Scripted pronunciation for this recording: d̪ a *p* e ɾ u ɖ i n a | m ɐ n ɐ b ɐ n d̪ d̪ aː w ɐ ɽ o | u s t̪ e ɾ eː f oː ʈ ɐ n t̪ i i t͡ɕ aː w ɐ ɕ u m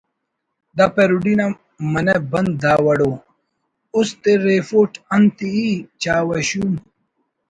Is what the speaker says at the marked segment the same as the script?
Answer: yes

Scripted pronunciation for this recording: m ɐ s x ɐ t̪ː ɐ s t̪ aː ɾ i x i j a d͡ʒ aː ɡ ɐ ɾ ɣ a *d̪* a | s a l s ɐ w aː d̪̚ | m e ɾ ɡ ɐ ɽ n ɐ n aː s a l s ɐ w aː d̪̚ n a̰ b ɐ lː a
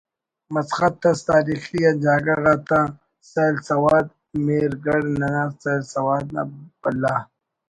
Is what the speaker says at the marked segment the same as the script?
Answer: no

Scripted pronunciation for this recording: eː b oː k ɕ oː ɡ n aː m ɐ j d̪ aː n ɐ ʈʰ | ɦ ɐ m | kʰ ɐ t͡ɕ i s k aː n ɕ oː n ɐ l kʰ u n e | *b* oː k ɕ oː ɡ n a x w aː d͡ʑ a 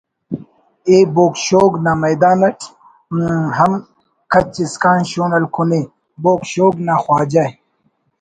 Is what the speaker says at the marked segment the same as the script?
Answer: yes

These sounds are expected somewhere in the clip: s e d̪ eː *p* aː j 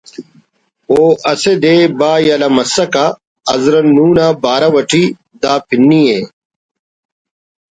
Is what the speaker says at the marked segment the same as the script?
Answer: no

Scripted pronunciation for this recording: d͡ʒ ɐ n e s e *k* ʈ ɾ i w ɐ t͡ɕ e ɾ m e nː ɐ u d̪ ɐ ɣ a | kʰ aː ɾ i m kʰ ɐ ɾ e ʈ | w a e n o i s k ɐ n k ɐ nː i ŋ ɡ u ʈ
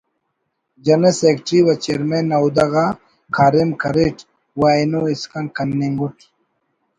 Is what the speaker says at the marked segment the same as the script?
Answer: yes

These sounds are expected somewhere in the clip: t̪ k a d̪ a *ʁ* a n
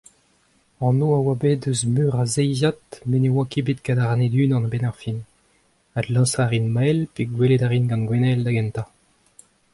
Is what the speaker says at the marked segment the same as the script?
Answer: yes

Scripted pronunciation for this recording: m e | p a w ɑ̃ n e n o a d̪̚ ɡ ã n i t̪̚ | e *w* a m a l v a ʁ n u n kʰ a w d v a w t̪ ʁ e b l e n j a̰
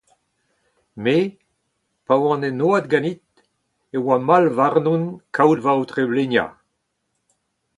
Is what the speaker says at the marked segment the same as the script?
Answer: yes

